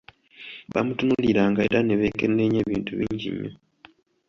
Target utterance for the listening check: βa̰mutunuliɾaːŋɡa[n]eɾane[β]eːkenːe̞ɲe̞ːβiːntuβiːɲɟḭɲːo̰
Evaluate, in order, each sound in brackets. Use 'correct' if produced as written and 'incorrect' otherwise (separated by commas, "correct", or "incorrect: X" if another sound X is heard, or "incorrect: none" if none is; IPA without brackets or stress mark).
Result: incorrect: none, correct